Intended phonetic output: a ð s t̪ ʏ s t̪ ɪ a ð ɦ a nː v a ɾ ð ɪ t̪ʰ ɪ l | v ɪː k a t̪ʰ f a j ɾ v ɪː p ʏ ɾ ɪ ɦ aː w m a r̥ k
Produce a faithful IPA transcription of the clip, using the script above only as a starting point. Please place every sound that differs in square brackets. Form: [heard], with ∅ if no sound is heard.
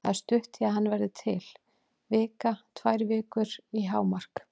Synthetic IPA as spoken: a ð s t̪ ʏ [h] t̪ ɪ a ð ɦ a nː v [ɛ] ɾ ð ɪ t̪ʰ ɪ l | v ɪː k a t̪ʰ [v] a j ɾ v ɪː [k] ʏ ɾ [i] ɦ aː w m a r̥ k